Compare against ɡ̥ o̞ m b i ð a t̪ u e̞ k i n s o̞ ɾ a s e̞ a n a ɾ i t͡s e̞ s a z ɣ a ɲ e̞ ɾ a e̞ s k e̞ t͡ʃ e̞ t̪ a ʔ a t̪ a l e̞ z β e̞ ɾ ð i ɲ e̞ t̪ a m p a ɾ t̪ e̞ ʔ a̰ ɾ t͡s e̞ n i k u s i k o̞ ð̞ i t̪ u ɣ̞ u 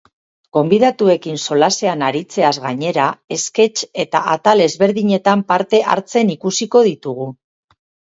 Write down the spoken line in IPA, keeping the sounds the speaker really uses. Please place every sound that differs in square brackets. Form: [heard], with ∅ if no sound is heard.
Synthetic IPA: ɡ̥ o̞ m b i ð a t̪ u e̞ k i n s o̞ [l] a s e̞ a n a ɾ i t͡s e̞ [∅] a z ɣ a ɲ e̞ ɾ a e̞ s k e̞ t͡ʃ e̞ t̪ a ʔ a t̪ a l e̞ z β e̞ ɾ ð i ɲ e̞ t̪ a m p a ɾ t̪ e̞ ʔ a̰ ɾ t͡s e̞ n i k u s i k o̞ ð̞ i t̪ u ɣ̞ u